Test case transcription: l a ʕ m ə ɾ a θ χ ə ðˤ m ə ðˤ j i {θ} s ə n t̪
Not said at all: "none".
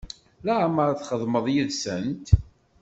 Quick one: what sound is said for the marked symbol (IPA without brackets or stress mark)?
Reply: ð